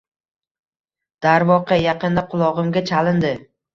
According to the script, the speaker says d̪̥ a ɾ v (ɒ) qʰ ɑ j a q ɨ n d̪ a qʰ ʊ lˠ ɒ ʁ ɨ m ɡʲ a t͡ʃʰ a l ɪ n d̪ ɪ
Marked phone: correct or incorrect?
correct